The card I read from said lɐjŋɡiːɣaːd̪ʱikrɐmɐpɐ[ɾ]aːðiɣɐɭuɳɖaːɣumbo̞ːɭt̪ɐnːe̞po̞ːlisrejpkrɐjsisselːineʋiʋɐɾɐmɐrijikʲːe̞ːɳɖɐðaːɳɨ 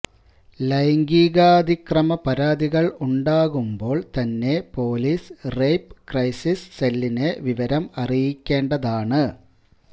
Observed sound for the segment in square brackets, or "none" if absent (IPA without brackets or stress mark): ɾ